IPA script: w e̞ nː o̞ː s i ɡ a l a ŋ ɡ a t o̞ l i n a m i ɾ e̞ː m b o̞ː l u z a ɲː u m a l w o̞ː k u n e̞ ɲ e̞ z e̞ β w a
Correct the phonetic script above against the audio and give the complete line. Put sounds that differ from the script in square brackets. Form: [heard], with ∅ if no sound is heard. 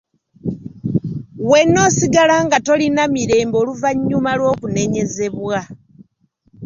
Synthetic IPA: w e̞ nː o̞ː s i ɡ a l a ŋ ɡ a t o̞ l i n a m i ɾ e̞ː m b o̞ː l u [v] a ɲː u m a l w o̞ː k u n e̞ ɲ e̞ z e̞ β w a